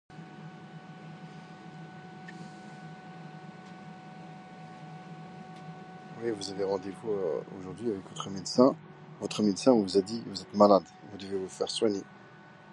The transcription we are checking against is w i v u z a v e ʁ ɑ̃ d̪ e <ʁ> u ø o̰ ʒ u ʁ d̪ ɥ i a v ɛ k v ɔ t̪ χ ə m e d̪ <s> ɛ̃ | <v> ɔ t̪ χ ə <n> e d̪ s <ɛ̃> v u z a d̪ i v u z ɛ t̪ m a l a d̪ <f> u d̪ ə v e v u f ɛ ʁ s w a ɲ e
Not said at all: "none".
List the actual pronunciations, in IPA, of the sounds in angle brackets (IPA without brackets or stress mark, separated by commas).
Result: v, s, v, m, ɛ̃, v